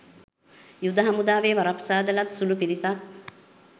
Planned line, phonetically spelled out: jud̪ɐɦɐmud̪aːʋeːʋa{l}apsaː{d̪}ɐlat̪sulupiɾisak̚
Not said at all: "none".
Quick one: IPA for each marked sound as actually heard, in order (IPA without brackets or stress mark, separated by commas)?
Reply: ɾ, d̪